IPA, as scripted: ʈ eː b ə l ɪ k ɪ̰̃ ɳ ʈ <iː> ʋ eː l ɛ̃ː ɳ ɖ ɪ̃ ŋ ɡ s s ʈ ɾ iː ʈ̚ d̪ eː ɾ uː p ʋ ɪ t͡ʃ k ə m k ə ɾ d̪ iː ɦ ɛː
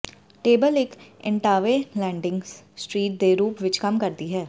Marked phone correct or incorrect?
incorrect